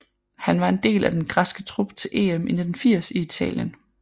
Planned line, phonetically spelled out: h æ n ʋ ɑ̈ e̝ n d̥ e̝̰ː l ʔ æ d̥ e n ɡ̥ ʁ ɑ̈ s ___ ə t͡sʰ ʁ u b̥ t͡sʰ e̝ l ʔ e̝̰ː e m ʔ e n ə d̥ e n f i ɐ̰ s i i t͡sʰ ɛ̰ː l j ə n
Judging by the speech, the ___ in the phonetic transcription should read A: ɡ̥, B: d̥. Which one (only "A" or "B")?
A